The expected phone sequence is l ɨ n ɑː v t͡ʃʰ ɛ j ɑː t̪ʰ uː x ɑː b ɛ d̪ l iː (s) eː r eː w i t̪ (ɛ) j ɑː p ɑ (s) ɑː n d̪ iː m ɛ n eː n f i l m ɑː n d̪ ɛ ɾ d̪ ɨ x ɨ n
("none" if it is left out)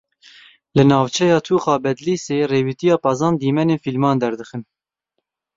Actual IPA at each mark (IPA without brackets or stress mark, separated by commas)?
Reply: s, i, z